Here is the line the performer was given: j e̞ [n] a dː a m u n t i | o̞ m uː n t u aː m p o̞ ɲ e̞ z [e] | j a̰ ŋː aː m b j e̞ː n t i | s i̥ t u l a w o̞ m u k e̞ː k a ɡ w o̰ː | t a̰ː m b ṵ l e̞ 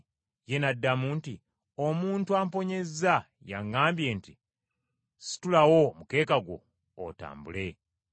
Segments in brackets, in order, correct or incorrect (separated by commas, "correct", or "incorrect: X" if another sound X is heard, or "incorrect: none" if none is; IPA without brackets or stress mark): correct, incorrect: a